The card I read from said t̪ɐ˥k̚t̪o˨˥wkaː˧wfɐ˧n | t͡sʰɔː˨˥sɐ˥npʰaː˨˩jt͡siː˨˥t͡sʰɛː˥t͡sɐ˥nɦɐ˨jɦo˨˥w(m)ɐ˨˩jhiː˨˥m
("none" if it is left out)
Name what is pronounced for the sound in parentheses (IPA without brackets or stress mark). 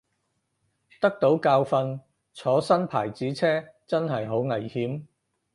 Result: ŋ